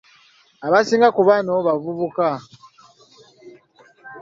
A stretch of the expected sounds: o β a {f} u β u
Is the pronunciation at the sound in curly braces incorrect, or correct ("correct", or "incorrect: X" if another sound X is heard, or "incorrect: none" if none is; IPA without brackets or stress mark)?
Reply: incorrect: v